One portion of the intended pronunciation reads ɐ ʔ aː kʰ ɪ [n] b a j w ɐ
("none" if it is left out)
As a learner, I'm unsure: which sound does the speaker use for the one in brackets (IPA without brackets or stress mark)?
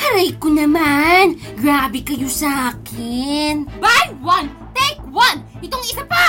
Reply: n